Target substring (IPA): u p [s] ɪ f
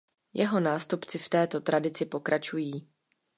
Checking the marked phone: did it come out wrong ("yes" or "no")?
yes